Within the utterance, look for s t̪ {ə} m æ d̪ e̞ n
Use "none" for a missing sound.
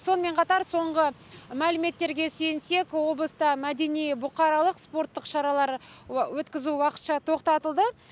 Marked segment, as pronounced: ɑ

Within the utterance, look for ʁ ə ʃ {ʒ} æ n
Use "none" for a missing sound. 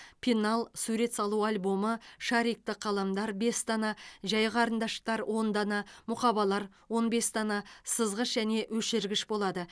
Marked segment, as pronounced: ʒ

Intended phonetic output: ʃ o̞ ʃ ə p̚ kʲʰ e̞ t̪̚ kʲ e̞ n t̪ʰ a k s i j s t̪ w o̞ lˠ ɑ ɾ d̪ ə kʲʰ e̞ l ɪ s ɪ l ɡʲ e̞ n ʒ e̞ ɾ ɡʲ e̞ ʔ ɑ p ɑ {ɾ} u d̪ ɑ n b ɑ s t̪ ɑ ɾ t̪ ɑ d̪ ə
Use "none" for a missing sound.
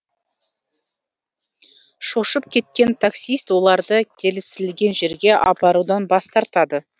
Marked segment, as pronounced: ɾ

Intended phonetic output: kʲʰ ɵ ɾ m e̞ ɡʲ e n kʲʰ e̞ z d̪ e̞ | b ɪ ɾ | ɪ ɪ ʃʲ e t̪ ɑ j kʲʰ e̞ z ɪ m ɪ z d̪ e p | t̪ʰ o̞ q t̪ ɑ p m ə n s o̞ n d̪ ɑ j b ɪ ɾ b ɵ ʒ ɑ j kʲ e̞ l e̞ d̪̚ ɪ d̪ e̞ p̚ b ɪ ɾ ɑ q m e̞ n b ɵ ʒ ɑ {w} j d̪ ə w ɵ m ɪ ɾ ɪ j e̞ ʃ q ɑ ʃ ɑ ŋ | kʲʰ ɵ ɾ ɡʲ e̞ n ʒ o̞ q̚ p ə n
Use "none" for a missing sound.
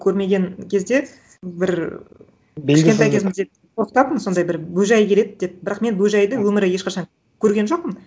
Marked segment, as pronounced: none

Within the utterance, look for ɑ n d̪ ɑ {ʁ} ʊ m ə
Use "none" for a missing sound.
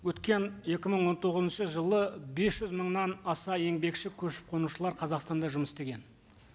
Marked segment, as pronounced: ʒ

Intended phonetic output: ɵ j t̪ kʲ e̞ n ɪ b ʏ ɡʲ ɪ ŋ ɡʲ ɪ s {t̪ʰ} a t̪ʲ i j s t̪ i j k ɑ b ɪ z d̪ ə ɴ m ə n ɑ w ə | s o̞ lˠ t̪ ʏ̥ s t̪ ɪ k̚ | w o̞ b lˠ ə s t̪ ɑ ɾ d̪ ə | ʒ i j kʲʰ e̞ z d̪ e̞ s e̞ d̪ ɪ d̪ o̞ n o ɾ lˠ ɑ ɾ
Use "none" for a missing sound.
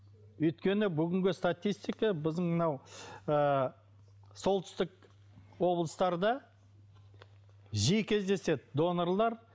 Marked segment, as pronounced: t̪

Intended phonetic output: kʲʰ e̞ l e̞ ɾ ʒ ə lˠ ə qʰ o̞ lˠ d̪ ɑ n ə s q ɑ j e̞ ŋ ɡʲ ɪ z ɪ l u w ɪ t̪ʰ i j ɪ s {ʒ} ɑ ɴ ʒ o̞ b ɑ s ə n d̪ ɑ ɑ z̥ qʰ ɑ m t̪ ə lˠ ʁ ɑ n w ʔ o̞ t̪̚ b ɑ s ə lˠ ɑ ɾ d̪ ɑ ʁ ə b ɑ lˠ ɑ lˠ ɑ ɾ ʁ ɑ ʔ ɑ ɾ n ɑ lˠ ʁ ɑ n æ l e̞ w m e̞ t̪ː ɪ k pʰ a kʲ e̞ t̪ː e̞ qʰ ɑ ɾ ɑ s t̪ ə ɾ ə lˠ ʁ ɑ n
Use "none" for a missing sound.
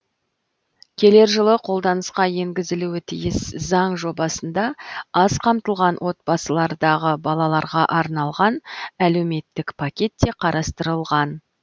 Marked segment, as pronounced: z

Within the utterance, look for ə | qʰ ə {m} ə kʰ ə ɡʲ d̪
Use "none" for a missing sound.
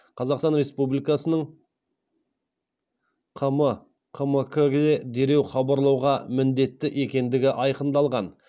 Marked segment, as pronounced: m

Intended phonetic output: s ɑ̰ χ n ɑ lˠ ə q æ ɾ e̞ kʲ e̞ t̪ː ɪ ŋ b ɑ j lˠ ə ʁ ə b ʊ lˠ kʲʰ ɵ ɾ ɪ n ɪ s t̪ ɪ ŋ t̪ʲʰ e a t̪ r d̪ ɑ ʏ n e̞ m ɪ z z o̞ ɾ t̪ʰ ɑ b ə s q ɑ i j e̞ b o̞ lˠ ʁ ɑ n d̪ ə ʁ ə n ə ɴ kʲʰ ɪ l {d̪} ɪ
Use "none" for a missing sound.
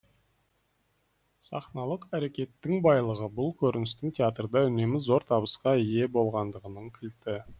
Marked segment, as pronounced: t̪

